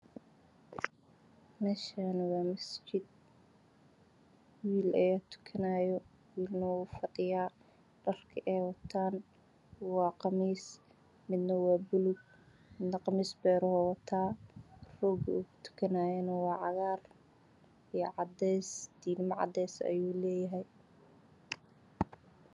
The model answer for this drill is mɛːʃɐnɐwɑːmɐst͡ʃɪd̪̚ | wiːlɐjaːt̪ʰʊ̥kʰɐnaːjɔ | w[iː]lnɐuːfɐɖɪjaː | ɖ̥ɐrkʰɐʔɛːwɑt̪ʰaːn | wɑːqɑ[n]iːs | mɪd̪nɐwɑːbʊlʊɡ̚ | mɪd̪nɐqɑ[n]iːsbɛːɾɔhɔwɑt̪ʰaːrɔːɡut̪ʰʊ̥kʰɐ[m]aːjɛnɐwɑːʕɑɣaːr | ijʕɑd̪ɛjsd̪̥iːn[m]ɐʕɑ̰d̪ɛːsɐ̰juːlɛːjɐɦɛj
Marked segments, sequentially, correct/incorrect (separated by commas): correct, incorrect, incorrect, incorrect, correct